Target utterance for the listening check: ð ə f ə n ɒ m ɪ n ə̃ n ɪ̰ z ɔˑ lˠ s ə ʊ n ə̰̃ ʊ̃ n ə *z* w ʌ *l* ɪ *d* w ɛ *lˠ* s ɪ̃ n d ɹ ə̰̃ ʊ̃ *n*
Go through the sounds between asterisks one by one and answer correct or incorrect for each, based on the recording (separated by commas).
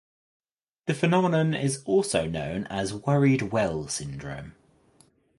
correct, incorrect, correct, correct, incorrect